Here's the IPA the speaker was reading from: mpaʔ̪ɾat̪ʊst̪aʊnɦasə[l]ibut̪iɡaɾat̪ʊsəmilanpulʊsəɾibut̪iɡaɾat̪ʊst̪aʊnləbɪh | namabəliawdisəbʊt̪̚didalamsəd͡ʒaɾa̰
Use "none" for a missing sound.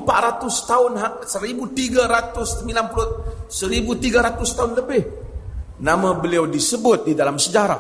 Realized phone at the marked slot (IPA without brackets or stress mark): ɾ